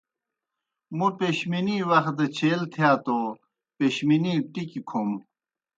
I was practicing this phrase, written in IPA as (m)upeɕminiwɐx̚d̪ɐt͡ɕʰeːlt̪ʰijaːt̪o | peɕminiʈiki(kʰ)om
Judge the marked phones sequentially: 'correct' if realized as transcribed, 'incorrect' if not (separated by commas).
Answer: correct, correct